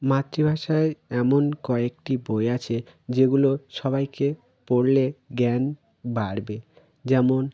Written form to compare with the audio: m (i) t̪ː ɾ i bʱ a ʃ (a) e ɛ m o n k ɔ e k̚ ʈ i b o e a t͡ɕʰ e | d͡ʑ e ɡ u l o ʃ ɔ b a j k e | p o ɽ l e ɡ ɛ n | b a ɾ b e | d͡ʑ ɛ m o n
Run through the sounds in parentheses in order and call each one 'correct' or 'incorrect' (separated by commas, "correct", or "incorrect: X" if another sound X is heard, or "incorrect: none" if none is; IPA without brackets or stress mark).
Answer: incorrect: a, correct